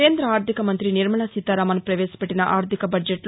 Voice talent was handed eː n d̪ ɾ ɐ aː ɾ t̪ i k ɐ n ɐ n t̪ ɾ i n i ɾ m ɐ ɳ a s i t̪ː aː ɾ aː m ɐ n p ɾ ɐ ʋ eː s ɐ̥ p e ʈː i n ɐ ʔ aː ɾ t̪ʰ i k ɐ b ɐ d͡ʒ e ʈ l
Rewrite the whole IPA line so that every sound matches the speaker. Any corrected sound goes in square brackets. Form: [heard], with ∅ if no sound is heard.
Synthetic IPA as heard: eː n d̪ ɾ ɐ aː ɾ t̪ i k ɐ [m] ɐ n t̪ ɾ i n i ɾ m ɐ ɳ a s i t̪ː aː ɾ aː m ɐ n p ɾ ɐ ʋ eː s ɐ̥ p e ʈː i n ɐ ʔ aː ɾ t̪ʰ i k ɐ b ɐ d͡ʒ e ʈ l